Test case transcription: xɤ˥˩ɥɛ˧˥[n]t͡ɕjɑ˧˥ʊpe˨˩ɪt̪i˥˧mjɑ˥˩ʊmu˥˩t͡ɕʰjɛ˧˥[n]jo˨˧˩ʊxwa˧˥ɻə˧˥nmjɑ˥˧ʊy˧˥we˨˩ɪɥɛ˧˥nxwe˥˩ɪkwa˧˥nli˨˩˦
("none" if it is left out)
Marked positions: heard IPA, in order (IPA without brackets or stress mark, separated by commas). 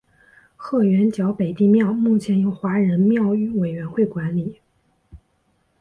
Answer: n, n